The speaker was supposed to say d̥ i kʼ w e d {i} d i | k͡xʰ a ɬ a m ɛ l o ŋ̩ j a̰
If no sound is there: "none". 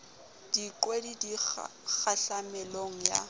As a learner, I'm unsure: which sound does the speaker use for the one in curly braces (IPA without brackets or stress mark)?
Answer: i